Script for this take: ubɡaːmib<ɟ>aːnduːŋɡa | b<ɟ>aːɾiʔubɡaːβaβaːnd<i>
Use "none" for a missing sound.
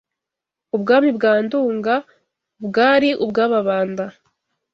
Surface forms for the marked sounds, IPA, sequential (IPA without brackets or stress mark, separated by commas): ɡ, ɡ, a